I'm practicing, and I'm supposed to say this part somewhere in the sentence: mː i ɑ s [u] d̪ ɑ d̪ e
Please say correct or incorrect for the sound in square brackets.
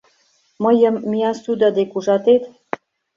correct